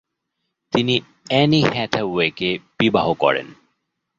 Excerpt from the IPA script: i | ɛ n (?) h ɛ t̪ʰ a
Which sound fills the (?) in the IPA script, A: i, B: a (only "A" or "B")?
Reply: A